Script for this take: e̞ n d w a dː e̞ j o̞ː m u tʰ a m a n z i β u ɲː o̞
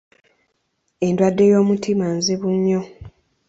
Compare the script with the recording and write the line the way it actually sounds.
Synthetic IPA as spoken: e̞ n d w a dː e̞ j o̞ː m u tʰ i m a n z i β u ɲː o̞